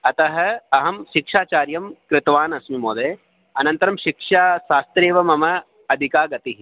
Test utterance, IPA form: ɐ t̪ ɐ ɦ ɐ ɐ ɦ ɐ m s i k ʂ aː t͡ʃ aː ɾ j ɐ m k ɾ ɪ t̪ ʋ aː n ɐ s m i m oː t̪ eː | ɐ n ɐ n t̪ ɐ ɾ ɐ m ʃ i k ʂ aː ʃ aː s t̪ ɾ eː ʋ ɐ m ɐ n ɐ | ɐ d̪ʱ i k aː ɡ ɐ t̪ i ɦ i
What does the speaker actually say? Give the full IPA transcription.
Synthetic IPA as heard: ɐ t̪ ɐ ɦ ɐ ɐ ɦ ɐ m ʃ i k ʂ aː t͡ʃ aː ɾ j ɐ m k ɾ ɪ t̪ ʋ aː n ɐ s m i m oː d̪ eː | ɐ n ɐ n t̪ ɐ ɾ ɐ m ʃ i k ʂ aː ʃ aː s t̪ ɾ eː ʋ ɐ m ɐ m ɐ | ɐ d̪ʱ i k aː ɡ ɐ t̪ i ɦ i